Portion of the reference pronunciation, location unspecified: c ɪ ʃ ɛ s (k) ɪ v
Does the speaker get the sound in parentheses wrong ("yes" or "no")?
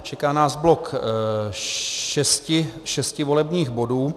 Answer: yes